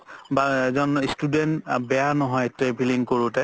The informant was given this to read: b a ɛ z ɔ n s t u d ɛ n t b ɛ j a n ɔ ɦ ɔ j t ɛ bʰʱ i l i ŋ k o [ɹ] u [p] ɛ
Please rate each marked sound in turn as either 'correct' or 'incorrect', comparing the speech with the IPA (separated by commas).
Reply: correct, incorrect